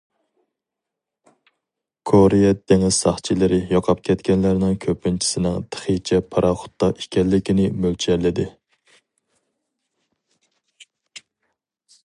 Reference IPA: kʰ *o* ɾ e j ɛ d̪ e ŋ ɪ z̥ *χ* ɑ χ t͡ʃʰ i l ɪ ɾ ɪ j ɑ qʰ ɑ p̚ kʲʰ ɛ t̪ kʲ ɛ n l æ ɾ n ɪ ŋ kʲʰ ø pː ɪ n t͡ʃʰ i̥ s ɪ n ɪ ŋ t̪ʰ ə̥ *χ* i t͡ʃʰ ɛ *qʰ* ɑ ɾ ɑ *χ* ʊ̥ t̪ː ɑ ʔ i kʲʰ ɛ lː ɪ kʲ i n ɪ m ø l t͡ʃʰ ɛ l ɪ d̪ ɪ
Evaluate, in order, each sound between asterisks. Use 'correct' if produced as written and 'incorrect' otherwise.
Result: correct, incorrect, correct, incorrect, correct

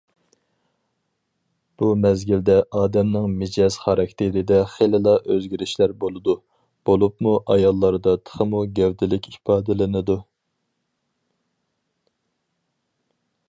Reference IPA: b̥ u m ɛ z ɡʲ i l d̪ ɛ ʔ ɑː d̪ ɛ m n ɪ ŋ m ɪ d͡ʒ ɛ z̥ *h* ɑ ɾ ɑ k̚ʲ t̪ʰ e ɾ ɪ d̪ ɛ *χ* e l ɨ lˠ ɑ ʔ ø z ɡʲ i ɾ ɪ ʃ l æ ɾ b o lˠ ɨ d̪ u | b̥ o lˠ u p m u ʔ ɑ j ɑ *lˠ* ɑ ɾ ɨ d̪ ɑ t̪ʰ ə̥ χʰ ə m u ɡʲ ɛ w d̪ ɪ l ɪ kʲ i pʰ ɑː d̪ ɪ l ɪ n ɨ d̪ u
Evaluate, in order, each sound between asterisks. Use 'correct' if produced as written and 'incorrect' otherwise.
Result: incorrect, correct, incorrect

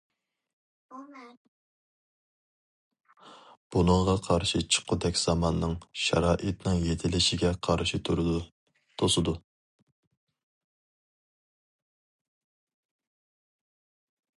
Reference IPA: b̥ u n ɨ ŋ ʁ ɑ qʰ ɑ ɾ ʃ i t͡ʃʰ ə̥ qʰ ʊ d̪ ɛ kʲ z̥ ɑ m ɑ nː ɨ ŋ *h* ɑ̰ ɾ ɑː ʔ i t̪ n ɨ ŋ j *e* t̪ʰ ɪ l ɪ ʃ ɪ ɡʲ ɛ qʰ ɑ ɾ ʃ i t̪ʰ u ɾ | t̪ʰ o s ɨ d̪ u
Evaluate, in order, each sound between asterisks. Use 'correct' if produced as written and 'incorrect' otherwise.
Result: incorrect, correct

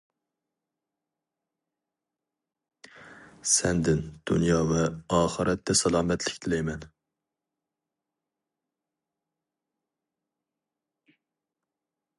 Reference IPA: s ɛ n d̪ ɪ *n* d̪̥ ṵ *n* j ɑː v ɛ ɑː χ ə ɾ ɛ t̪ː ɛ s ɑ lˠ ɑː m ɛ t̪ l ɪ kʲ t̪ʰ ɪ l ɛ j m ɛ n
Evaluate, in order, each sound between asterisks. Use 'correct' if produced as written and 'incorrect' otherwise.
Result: correct, correct

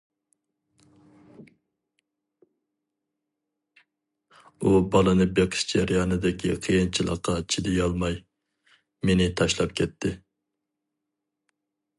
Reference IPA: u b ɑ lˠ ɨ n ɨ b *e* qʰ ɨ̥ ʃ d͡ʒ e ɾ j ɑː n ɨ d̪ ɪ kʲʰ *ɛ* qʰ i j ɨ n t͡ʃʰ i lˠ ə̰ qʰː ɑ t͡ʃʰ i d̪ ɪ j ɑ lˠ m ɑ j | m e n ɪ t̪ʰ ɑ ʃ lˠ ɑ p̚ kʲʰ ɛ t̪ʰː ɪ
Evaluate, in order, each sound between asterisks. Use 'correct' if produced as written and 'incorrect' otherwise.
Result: correct, incorrect

